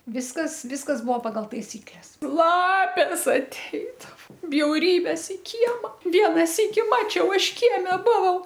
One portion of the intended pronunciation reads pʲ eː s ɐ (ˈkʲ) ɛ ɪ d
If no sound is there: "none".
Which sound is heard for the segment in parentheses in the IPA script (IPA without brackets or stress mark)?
tʲ